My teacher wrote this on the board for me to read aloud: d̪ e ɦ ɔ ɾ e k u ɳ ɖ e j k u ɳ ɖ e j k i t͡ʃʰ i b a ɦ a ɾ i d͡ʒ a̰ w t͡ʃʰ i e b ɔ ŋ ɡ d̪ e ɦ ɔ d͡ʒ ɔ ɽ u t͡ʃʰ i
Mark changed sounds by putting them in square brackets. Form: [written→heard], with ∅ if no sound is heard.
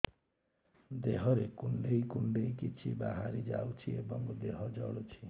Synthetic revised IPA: d̪ e ɦ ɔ ɾ e k u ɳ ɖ e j k u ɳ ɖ e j k i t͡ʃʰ i b a ɦ a ɾ i d͡ʒ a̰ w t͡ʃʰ i e b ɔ ŋ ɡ d̪ e ɦ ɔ d͡ʒ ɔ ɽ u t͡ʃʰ i